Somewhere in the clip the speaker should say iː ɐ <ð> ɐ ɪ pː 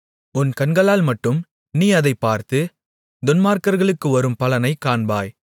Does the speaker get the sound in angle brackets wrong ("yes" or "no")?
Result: no